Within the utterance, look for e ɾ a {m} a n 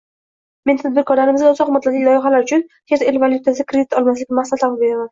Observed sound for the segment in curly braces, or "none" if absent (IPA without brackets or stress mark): m